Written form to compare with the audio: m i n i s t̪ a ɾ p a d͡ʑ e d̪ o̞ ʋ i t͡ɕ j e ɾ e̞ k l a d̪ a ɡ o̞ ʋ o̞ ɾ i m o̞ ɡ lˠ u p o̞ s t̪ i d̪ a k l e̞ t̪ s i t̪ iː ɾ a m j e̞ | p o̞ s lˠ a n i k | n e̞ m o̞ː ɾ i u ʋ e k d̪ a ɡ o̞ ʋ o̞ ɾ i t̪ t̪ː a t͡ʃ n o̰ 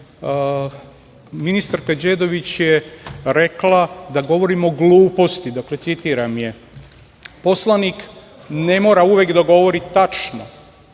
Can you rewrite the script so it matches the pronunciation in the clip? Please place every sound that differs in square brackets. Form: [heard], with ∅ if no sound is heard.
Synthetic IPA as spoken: m i n i s t̪ a ɾ [k] a d͡ʑ e d̪ o̞ ʋ i t͡ɕ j e ɾ e̞ k l a d̪ a ɡ o̞ ʋ o̞ ɾ i m o̞ ɡ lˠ [uː] p o̞ s t̪ i d̪ a k l e̞ t̪ s i t̪ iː ɾ a m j e̞ | p o̞ s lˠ a n i k | n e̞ m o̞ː ɾ [a] u ʋ e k d̪ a ɡ o̞ ʋ o̞ ɾ i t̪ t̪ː a t͡ʃ n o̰